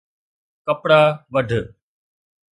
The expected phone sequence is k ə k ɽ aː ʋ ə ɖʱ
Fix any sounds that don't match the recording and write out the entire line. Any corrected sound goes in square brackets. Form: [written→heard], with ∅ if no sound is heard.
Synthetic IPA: k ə [k→p] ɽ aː ʋ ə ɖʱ